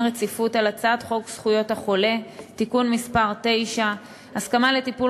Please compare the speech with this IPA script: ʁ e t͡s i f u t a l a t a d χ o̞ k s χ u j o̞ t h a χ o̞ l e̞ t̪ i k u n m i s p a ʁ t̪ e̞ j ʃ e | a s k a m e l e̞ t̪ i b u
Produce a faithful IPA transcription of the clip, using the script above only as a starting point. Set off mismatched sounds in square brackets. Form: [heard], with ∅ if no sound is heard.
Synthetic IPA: ʁ e t͡s i f u t a l a [t͡s] a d χ o̞ k s χ u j o̞ t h a χ o̞ l e̞ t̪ i k u n m i s p a ʁ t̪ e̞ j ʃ [a] | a s k a m [a] l e̞ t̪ i [p] u